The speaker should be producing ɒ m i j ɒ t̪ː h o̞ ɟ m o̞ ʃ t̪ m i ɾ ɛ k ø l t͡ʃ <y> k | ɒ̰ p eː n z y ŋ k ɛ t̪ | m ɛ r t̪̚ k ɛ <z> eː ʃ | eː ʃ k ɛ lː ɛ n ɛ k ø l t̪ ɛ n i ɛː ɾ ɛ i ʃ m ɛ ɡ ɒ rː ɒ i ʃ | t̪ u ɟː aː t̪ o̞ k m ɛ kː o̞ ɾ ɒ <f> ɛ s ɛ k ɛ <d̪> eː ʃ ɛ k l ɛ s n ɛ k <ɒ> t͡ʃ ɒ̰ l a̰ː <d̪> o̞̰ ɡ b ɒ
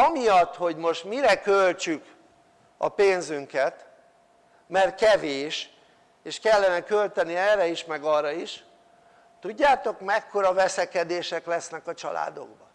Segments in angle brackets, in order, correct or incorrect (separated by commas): correct, incorrect, incorrect, correct, correct, correct